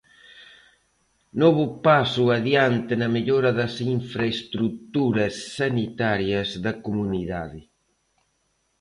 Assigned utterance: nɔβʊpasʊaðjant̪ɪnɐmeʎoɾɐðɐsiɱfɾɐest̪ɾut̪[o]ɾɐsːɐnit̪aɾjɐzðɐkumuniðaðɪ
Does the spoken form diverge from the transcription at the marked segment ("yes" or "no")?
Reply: yes